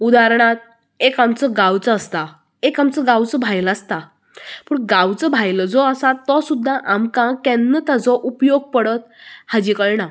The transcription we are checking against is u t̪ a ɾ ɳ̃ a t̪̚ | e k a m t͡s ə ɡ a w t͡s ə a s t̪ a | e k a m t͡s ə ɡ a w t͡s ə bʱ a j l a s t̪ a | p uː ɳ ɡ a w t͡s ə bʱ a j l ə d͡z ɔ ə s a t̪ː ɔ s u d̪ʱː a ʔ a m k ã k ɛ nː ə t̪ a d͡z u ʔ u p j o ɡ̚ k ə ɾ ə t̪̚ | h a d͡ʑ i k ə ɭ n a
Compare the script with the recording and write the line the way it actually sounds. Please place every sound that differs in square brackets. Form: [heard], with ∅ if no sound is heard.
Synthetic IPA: u [d̪] a ɾ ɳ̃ a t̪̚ | e k a m t͡s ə ɡ a w t͡s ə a s t̪ a | e k a m t͡s ə ɡ a w t͡s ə bʱ a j l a s t̪ a | p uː ɳ ɡ a w t͡s ə bʱ a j l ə d͡z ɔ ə s a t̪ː ɔ s u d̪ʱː a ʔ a m k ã k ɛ nː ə t̪ a d͡z [ɔ] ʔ u p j o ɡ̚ [p] ə [ɽ] ə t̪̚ | h a d͡ʑ i k ə ɭ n a